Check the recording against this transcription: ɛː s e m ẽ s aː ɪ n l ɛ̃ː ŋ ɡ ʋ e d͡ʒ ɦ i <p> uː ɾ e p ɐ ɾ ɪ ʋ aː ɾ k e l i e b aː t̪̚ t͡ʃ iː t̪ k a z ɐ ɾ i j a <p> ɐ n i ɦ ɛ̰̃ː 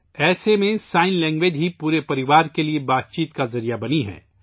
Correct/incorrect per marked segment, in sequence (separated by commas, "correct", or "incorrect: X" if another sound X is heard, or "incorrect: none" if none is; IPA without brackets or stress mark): correct, incorrect: b